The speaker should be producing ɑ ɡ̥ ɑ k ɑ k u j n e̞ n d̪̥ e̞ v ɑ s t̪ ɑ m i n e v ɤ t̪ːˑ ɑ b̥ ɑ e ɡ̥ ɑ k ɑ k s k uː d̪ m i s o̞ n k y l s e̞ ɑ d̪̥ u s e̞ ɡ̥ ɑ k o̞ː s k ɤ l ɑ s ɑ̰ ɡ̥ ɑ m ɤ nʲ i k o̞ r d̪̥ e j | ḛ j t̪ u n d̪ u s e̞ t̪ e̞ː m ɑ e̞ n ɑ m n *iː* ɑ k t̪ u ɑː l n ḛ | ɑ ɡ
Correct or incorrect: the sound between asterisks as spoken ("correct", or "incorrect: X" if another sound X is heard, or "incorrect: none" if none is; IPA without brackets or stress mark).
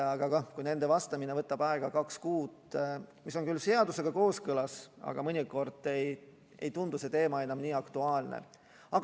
correct